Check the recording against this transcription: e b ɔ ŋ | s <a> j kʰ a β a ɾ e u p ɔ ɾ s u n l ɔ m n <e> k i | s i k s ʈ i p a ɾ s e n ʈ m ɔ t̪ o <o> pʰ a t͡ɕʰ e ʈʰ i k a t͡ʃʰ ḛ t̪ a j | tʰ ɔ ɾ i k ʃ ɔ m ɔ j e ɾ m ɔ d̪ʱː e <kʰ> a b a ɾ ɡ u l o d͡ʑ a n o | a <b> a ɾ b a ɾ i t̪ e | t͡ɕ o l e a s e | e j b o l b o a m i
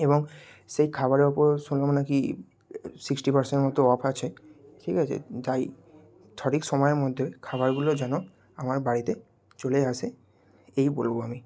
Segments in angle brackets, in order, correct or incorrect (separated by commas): incorrect, incorrect, incorrect, correct, incorrect